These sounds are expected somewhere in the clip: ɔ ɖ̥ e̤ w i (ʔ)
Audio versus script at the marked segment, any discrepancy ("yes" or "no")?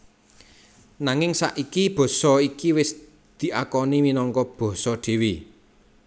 yes